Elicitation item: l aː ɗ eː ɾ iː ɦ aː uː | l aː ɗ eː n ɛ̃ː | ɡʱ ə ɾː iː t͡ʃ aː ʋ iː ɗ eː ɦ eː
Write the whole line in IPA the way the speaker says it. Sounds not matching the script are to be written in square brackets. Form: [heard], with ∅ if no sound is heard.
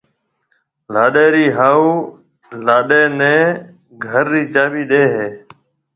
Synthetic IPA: l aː ɗ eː ɾ iː ɦ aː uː | l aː ɗ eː n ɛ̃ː | ɡʱ ə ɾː iː t͡ʃ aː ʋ iː ɗ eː ɦ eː